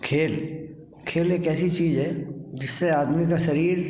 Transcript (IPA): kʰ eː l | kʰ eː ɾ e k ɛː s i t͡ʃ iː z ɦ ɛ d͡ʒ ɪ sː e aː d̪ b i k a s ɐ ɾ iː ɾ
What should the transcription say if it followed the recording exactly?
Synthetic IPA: kʰ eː l | kʰ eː l e k ɛː s i t͡ʃ iː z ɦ ɛ d͡ʒ ɪ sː e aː d̪ m i k a ʃ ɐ ɾ iː ɾ